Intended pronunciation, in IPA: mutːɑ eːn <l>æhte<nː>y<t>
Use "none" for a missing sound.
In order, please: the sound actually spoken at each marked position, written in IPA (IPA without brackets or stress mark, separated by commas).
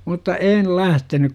l, n, k